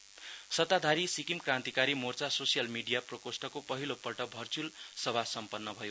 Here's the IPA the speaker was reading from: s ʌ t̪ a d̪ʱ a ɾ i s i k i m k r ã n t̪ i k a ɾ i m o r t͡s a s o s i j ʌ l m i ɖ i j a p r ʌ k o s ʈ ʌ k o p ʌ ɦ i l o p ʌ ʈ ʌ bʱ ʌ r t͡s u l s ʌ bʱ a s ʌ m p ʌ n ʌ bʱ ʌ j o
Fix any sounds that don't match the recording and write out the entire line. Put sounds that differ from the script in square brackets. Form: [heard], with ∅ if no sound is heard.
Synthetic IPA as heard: s ʌ t̪ a d̪ʱ a ɾ i s i k i m k r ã n t̪ i k a ɾ i m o r t͡s a s o s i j ʌ l m i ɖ i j a p r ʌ k o s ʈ ʌ k o p ʌ ɦ i l o p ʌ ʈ ʌ bʱ ʌ r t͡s u l s ʌ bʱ a s ʌ m p ʌ [nː] ʌ bʱ ʌ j o